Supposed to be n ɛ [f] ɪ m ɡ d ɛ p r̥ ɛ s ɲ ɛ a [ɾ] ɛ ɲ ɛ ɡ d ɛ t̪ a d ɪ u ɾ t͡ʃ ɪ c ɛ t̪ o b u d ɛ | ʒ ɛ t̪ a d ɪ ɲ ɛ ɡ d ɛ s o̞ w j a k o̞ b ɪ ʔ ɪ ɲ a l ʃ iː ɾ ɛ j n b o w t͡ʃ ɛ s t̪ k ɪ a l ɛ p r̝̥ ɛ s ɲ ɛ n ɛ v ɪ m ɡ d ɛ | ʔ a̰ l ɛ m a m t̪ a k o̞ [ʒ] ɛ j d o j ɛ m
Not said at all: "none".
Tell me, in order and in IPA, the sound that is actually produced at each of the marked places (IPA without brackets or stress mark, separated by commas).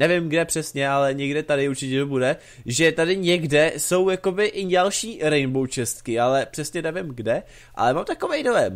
v, l, v